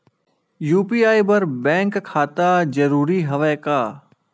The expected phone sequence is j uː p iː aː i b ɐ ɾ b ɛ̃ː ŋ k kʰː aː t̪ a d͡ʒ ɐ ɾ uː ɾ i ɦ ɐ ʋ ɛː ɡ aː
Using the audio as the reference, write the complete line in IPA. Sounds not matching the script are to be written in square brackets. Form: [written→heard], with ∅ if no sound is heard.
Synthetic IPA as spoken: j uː p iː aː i b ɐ ɾ b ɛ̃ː ŋ k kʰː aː t̪ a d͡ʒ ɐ ɾ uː ɾ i ɦ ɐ ʋ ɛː [ɡ→k] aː